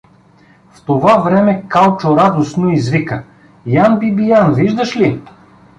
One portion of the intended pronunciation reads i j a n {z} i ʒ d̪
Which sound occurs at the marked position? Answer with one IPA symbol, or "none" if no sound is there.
v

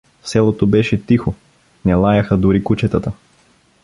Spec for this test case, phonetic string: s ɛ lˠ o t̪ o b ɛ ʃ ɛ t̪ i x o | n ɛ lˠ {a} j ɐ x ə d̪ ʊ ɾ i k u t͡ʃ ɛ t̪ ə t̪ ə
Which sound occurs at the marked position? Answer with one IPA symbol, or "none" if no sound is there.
a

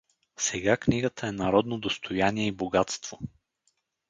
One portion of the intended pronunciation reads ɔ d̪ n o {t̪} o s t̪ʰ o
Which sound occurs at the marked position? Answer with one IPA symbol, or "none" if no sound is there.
d̪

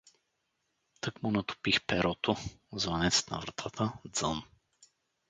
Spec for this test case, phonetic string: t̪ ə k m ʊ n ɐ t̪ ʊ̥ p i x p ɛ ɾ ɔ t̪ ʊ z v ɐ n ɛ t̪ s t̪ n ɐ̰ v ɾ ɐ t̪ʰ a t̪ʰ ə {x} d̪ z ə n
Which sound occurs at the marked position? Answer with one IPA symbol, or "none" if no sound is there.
none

